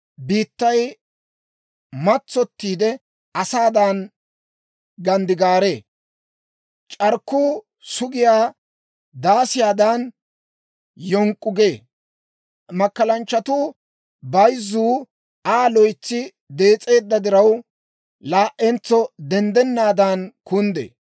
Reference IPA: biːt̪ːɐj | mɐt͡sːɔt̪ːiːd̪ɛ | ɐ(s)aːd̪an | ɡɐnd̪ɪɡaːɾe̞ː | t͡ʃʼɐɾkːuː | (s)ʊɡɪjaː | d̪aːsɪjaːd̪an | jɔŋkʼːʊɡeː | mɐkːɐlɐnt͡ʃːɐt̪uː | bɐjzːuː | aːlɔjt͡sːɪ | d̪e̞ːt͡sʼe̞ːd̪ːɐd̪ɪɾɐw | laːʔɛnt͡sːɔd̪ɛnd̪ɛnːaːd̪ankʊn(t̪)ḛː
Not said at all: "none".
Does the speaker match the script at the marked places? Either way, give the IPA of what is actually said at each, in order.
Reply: s, s, d̪

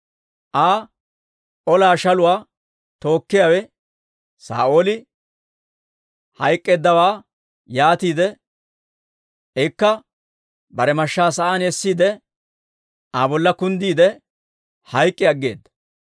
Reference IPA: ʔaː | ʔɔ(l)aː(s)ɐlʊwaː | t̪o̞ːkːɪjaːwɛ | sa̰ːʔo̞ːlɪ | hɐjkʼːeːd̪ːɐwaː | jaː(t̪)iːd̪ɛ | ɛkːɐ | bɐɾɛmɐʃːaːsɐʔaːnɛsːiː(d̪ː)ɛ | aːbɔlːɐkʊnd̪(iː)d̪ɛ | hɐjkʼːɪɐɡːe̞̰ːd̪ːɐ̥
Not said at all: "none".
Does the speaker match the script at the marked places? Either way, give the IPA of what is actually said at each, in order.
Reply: l, ʃ, t̪, d̪, iː

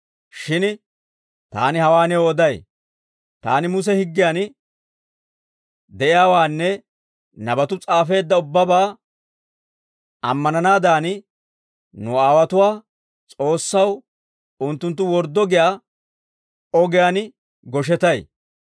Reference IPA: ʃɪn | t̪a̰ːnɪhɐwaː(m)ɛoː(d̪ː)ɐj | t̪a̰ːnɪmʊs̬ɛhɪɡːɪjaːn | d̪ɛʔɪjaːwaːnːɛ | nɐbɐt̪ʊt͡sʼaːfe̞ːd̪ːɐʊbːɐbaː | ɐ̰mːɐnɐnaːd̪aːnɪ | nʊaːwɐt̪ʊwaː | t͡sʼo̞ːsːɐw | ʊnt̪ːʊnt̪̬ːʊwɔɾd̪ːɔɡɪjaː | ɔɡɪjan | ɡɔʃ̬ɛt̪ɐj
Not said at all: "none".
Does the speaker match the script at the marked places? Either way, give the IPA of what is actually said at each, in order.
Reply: n, d̪

